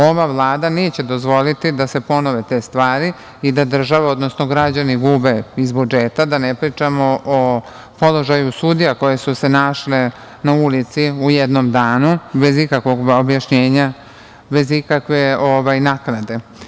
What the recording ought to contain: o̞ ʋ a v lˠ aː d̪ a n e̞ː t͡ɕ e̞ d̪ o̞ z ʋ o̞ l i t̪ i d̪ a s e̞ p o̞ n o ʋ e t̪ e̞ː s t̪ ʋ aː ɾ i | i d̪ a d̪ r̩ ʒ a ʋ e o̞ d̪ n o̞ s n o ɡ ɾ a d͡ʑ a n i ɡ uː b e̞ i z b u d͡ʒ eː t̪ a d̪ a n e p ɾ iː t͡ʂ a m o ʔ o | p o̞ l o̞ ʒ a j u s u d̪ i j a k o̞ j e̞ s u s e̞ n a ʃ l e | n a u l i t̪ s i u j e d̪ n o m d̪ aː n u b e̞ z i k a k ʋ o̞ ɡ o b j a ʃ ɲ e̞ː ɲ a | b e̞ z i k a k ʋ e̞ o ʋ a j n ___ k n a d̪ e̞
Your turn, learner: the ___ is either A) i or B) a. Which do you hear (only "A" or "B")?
B